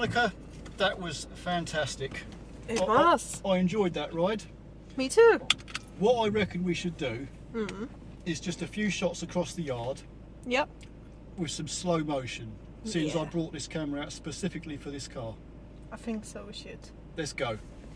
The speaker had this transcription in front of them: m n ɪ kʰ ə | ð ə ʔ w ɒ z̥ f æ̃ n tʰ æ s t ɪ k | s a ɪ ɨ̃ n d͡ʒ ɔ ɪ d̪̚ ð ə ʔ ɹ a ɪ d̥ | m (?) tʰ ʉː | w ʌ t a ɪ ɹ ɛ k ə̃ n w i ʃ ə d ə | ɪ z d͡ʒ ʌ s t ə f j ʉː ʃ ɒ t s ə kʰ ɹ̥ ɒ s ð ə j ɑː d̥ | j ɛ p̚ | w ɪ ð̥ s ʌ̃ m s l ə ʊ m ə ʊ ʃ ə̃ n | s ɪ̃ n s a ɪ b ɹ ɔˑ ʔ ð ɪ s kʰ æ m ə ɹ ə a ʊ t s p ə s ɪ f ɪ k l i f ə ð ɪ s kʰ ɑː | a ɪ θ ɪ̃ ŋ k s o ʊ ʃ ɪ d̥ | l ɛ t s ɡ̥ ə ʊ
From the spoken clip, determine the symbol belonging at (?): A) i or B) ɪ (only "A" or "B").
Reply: A